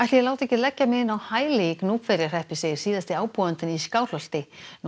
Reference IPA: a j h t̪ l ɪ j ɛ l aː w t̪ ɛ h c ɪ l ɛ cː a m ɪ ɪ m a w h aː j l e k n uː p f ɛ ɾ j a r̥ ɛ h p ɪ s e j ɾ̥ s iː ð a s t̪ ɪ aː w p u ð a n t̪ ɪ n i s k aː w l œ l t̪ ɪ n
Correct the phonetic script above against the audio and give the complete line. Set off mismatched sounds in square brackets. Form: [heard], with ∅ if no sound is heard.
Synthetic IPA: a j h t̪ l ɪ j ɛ l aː w t̪ ɛ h c ɪ l ɛ cː a m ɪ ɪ [n] a w h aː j l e k n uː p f ɛ ɾ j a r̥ ɛ h p ɪ s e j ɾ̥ s iː ð a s t̪ ɪ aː w p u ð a n t̪ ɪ n i s k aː w l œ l t̪ ɪ n